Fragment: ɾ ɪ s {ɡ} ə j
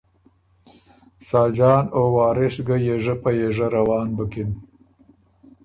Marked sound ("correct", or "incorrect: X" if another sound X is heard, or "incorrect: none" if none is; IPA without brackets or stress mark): correct